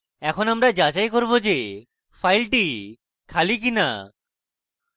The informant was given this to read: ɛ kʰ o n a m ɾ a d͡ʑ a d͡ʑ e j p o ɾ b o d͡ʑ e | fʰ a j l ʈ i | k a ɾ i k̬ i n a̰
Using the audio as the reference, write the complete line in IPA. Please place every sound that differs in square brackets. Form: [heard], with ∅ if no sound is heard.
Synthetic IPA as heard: ɛ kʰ o n a m ɾ a d͡ʑ a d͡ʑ [a] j [k] o ɾ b o d͡ʑ e | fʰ a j l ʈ i | [kʰ] a [l] i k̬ i n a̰